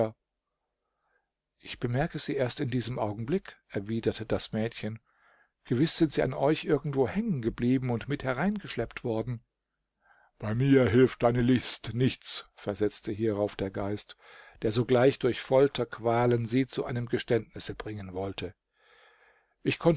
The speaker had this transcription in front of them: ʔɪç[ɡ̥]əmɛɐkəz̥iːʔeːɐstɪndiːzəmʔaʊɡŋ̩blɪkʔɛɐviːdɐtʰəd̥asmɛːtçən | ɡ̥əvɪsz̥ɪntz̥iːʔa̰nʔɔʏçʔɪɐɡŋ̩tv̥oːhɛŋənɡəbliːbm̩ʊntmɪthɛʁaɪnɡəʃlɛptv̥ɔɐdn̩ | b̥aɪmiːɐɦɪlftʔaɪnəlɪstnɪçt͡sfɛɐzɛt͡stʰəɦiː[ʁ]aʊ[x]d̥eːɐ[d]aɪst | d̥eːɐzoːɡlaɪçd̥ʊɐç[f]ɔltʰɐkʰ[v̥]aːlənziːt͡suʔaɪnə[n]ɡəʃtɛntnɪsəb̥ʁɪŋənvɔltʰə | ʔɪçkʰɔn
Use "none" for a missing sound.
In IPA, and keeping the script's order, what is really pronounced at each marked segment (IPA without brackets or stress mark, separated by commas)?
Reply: b̥, ʁ, f, ɡ, f, v̥, m